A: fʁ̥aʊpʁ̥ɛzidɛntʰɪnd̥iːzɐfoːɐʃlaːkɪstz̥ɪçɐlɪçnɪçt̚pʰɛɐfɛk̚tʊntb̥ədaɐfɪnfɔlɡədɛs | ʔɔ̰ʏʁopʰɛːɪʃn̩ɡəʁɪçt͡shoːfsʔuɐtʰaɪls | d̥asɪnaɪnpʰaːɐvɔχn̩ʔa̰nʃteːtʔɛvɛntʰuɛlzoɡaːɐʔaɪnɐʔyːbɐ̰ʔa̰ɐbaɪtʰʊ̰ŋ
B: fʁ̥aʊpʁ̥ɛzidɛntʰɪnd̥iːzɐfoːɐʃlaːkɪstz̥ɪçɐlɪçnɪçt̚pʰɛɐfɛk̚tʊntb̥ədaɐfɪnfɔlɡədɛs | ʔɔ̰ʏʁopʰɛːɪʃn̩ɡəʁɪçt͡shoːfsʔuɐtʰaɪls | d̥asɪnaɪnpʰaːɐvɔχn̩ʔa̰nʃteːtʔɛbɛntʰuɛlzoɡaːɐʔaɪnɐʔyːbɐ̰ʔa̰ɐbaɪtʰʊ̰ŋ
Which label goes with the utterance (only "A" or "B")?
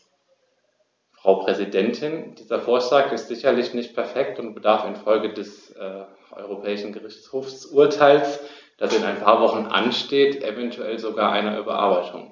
A